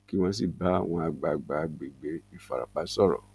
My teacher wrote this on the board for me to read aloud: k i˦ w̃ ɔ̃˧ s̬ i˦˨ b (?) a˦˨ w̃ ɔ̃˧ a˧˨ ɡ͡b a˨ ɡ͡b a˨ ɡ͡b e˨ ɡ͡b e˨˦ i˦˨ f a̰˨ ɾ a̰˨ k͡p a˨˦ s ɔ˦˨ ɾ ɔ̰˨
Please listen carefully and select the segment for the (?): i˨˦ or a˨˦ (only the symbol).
a˨˦